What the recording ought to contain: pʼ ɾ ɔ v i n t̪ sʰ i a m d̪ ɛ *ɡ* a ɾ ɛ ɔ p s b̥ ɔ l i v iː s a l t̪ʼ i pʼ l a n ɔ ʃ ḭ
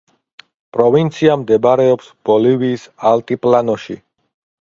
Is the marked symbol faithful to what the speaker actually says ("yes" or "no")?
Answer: no